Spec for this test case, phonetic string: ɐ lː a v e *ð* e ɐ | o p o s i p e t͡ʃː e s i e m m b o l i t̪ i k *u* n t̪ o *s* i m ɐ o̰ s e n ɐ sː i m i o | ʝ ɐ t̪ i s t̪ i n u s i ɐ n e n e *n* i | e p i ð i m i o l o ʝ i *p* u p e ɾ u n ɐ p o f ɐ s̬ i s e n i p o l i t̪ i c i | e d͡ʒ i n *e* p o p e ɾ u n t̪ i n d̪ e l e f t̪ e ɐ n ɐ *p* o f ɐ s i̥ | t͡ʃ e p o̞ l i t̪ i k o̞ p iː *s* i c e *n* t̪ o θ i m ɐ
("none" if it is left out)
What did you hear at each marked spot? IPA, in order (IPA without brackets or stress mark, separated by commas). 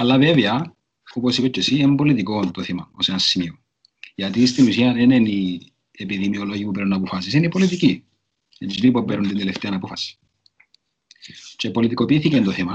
v, o, θ, n, p, i, p, θ, n